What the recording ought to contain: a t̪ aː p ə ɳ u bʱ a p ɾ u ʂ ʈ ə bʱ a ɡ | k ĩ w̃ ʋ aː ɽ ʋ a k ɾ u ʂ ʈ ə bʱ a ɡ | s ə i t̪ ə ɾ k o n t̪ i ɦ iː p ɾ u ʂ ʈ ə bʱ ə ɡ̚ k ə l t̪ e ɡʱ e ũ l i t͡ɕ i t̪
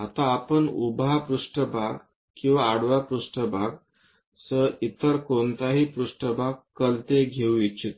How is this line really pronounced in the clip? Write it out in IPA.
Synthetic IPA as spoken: a t̪ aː p ə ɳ u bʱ a p ɾ u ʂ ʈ ə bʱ a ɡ | k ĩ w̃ ʋ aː ɽ ʋ a p ɾ u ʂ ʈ ə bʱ a ɡ | s ə i t̪ ə ɾ k o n t̪ a ɦ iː p ɾ u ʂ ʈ ə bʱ a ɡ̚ k ə l t̪ e ɡʱ e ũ i t͡ɕ i t̪